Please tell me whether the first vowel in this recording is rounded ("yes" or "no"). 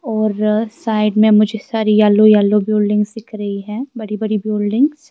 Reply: yes